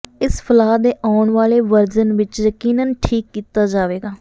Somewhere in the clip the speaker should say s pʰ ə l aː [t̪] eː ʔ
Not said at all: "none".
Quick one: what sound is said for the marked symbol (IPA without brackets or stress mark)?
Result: d̪